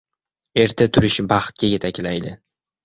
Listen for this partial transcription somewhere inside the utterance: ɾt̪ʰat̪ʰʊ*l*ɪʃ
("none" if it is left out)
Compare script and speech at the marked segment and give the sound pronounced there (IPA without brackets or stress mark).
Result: ɾ